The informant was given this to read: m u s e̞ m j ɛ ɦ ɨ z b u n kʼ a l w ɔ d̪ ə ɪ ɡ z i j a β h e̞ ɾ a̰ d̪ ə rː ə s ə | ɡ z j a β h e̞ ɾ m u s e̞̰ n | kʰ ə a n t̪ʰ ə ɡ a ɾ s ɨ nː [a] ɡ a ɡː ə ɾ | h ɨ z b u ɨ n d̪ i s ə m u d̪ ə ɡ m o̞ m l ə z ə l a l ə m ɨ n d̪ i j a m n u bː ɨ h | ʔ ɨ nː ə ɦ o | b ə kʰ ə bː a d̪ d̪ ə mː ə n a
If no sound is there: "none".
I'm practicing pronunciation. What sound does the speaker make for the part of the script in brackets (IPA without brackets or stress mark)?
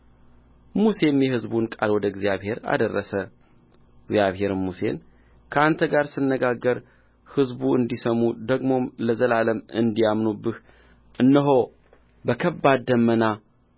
ə